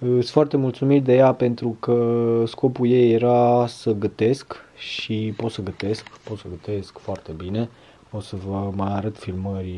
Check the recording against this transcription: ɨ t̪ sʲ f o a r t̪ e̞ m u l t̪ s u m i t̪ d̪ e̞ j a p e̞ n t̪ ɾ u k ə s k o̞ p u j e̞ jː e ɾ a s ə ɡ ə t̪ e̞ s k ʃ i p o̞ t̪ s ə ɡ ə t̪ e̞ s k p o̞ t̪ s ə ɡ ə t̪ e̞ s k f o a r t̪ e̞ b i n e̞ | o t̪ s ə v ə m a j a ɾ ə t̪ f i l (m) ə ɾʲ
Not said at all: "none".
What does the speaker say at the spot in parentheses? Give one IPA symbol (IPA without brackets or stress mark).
m